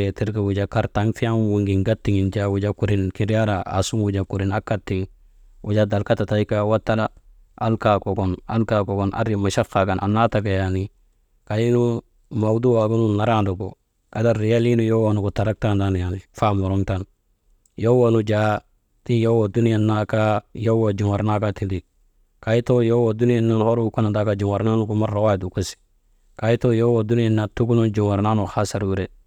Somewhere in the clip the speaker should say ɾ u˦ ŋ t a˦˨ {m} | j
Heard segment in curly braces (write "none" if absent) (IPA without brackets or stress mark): n